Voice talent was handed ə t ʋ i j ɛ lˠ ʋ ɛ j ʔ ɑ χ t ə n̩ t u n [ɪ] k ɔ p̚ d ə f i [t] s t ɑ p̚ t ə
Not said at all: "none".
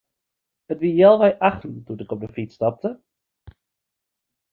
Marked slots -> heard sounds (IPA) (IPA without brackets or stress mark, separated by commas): ɪ, t